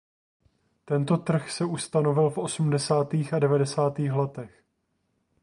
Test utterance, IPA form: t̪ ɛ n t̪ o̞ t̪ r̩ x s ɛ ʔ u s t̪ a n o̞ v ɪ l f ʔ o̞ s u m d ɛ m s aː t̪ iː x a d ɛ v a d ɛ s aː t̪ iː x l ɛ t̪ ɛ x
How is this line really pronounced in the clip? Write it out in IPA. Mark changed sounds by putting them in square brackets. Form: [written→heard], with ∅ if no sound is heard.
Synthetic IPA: t̪ ɛ n t̪ o̞ t̪ r̩ x s ɛ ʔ u s t̪ a n o̞ v ɪ l f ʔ o̞ s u m d ɛ [m→∅] s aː t̪ iː x a d ɛ v a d ɛ s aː t̪ iː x l ɛ t̪ ɛ x